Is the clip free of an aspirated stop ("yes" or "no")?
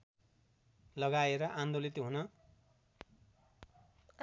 yes